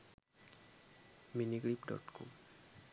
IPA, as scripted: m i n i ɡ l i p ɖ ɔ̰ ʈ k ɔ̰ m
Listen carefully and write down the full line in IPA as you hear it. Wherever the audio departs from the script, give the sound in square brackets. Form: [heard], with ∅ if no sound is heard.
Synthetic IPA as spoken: m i n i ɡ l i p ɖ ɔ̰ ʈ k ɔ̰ m

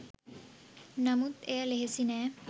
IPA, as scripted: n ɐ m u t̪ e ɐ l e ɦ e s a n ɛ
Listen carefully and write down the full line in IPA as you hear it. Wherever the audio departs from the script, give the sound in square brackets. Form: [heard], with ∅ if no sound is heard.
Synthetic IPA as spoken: n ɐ m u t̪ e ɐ l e ɦ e s [i] n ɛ

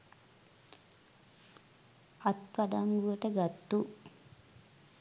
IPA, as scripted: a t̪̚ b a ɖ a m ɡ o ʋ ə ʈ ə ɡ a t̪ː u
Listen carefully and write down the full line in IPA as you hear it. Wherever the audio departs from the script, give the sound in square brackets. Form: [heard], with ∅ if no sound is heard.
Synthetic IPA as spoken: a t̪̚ [p] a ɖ a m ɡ [u] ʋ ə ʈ ə ɡ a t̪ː u

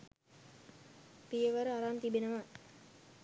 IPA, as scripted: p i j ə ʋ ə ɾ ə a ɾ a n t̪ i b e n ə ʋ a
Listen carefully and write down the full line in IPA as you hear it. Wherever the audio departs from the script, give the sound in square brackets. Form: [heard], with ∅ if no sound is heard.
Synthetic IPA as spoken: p i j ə ʋ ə ɾ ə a ɾ a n t̪ i b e n ə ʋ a

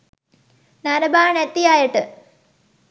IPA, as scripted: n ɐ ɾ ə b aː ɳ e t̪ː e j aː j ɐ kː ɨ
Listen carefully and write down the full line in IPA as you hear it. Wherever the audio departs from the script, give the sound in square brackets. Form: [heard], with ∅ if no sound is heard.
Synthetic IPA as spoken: n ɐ ɾ [ɐ] b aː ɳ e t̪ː [i] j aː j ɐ [ʈː] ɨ

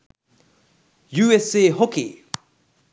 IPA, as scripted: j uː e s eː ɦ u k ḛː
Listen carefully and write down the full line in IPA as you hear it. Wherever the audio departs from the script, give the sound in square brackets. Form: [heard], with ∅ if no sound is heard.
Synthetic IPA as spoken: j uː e s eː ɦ [o] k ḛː

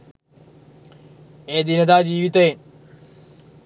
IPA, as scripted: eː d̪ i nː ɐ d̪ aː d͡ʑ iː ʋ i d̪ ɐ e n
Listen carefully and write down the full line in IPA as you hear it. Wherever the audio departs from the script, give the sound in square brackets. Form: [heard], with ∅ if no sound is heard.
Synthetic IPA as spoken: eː d̪ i [n] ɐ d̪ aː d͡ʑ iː ʋ i [t̪] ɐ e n

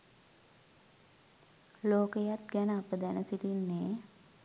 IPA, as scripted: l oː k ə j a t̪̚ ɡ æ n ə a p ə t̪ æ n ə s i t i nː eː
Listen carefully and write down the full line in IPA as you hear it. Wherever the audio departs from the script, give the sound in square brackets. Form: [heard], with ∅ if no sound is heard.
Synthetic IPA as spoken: l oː k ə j a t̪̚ ɡ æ n ə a p ə [d̪] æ n ə s i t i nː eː

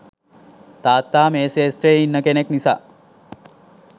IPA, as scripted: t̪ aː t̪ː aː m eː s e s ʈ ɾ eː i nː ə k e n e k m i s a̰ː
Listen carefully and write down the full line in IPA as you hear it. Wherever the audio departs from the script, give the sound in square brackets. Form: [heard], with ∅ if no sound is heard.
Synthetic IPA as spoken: t̪ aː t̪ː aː m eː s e s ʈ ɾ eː i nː ə k e n e k [n] i s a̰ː

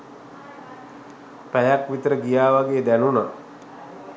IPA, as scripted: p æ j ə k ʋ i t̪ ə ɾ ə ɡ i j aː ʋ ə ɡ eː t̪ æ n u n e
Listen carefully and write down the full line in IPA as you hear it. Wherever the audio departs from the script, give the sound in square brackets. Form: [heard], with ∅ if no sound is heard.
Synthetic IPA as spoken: p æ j [a] k ʋ i t̪ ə ɾ ə ɡ i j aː ʋ [a] ɡ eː [d̪] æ n u n [a]

